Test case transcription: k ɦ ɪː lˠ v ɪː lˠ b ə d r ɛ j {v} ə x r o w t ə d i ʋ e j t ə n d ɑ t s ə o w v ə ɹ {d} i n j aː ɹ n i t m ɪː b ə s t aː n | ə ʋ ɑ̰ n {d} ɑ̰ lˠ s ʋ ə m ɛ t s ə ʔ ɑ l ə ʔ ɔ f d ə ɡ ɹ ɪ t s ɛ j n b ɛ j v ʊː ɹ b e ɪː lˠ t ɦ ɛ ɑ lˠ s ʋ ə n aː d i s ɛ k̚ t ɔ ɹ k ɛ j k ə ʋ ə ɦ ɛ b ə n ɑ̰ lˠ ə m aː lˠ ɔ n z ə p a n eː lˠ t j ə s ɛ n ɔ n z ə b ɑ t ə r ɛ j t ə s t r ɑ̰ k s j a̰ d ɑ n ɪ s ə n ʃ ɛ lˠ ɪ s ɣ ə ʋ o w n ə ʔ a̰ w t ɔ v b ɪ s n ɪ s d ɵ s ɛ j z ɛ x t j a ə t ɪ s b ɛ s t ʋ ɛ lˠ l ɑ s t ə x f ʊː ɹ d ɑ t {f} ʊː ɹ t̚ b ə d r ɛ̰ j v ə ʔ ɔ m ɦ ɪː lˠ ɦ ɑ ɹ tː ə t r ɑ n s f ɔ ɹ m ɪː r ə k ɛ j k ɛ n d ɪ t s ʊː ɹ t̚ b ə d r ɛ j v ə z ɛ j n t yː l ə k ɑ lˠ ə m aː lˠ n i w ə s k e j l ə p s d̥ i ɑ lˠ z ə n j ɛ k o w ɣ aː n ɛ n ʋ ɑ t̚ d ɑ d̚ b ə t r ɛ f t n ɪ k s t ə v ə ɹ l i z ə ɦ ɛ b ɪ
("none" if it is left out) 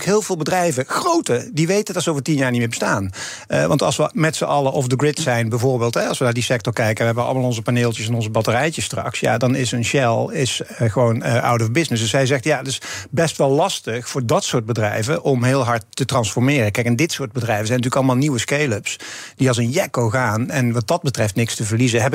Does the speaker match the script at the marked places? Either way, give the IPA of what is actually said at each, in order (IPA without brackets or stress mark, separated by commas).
v, t, t, s